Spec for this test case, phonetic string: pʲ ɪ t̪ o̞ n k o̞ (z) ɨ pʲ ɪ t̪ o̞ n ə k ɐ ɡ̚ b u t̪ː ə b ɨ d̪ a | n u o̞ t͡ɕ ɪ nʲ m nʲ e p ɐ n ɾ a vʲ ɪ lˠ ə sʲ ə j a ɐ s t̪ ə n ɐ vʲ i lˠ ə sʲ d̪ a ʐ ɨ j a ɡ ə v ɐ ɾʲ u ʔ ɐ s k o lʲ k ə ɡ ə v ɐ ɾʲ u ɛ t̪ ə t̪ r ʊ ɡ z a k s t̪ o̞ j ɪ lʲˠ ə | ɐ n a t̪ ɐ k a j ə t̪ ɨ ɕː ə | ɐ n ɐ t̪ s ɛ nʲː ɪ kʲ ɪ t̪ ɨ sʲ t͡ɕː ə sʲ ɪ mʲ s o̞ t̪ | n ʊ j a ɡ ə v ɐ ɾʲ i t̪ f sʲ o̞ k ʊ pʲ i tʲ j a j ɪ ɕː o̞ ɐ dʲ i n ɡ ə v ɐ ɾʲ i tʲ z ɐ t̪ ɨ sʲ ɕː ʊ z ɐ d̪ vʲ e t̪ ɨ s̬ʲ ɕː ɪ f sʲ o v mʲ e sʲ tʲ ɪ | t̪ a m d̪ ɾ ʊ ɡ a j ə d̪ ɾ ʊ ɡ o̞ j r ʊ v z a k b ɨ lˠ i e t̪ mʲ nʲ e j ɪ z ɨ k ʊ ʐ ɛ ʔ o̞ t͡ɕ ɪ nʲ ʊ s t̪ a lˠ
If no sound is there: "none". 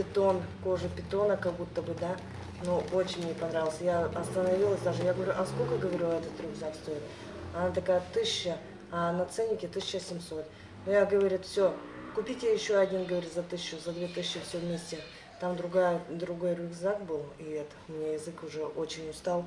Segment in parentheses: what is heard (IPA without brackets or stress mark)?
ʐ